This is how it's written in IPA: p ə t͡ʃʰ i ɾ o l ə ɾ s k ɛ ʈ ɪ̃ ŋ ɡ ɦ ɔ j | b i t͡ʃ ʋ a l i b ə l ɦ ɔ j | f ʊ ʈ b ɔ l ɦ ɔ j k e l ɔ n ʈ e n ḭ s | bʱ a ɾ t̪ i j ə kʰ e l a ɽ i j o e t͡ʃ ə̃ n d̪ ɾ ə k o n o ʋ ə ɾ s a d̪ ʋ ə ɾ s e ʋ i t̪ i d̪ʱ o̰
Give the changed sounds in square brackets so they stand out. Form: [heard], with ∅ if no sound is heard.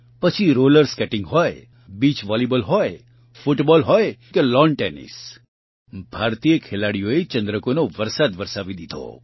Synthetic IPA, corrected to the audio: p ə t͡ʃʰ i ɾ o l ə ɾ s k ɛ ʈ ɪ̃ ŋ ɡ ɦ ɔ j | b i t͡ʃ ʋ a l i b ə l ɦ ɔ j | f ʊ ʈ b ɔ l ɦ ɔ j k e l ɔ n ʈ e n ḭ s | bʱ a ɾ t̪ i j ə kʰ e l a ɽ i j o e t͡ʃ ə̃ n d̪ ɾ ə k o n o ʋ ə ɾ s a d̪ ʋ ə ɾ s [a] ʋ i [d̪] i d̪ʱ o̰